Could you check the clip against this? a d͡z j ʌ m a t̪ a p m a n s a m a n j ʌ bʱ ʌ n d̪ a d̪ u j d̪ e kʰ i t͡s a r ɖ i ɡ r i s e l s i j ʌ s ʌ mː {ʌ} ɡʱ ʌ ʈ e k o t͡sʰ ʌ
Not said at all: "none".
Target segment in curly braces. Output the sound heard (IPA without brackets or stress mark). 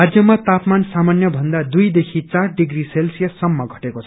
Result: ʌ